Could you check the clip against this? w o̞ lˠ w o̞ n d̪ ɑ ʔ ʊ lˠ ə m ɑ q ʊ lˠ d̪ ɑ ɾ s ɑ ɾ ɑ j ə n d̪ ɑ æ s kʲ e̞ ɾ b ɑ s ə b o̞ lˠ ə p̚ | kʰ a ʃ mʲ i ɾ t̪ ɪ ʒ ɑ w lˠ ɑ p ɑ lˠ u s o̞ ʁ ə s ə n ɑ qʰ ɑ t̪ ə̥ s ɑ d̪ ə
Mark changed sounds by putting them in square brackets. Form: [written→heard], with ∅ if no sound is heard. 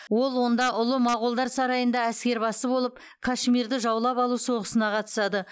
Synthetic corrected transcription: w o̞ lˠ w o̞ n d̪ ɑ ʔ ʊ lˠ ə m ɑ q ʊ lˠ d̪ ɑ ɾ s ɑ ɾ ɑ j ə n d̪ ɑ æ s kʲ e̞ ɾ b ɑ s ə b o̞ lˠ ə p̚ | kʰ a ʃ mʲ i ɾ [t̪→d̪] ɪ ʒ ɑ w lˠ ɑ p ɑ lˠ u s o̞ ʁ ə s ə n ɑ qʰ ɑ t̪ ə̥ s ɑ d̪ ə